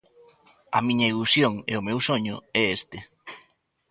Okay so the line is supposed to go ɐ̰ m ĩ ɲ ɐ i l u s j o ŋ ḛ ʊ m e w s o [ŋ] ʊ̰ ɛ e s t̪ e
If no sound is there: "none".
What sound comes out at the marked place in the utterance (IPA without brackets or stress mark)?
ɲ